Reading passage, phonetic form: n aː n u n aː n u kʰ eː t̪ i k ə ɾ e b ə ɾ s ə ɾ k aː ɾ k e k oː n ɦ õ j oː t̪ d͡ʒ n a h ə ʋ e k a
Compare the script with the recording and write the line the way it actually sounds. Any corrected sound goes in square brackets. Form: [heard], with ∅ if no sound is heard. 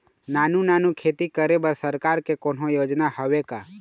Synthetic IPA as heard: n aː n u n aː n u kʰ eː t̪ i k ə ɾ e b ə ɾ s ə ɾ k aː ɾ k e k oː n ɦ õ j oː [∅] d͡ʒ n a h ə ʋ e k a